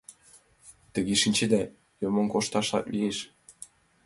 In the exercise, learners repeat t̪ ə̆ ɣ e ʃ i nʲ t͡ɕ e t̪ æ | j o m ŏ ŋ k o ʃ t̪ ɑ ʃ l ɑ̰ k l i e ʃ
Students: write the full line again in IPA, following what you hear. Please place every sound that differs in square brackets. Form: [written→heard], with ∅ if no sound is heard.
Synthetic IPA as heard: t̪ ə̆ ɣ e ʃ i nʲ t͡ɕ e [t̪→d̪] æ | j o m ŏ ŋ k o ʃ t̪ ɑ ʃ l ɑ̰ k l i e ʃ